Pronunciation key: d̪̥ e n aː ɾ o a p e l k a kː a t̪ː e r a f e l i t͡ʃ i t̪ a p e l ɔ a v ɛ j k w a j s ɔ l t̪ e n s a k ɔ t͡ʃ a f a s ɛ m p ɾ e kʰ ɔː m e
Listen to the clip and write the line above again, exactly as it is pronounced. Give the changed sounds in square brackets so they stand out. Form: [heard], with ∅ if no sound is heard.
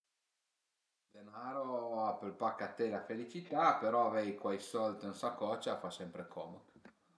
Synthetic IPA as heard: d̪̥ e n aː ɾ o a p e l [p] a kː a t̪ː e [l] a f e l i t͡ʃ i t̪ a p e [ɾ] ɔ a v ɛ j k w a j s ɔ l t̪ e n s a k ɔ t͡ʃ a f a s ɛ m p ɾ e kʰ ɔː m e